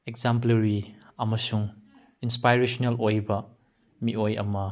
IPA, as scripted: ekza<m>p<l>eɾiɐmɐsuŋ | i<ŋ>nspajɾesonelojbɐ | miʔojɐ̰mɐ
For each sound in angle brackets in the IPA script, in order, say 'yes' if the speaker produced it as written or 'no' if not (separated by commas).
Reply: yes, yes, no